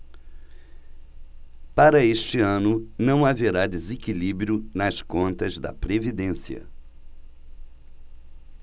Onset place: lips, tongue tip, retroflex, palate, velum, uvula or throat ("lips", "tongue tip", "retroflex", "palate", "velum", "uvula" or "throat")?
lips